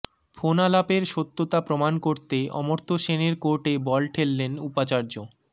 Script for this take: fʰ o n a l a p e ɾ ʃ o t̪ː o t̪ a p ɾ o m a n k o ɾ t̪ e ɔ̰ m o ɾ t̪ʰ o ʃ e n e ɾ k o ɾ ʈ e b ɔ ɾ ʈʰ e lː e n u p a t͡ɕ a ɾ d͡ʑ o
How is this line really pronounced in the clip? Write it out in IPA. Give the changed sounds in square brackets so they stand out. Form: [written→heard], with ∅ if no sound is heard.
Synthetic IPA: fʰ o n a l a p e ɾ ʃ o t̪ː o t̪ a p ɾ o m a n k o ɾ t̪ e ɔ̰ m o ɾ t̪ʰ o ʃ e n e ɾ k o ɾ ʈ e b ɔ [ɾ→l] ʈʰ e lː e n u p a t͡ɕ a ɾ d͡ʑ o